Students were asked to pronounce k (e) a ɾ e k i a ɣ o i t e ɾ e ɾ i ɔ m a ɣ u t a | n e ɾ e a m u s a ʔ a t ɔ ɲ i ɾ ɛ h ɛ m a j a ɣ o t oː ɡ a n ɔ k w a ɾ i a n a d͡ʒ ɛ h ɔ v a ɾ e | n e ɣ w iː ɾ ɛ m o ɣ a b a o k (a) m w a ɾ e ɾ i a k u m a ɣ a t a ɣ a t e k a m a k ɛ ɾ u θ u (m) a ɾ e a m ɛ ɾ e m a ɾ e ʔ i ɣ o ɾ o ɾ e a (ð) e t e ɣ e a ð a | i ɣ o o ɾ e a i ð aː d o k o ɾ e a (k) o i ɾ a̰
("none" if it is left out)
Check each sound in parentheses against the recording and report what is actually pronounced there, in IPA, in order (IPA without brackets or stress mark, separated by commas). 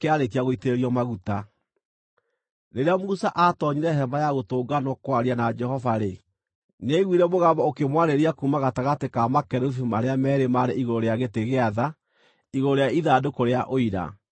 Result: e, e, m, ɣ, ʔ